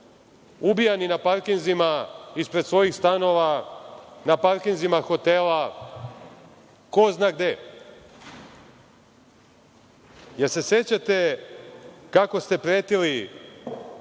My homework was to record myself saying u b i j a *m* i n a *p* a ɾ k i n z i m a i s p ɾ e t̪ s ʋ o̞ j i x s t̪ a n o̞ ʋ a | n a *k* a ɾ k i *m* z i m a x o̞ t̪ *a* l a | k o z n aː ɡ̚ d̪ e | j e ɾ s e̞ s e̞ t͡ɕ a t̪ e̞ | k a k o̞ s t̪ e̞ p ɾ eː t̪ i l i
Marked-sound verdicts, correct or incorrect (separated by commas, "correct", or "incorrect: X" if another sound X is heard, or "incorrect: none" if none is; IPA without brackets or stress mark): incorrect: n, correct, incorrect: p, incorrect: n, incorrect: e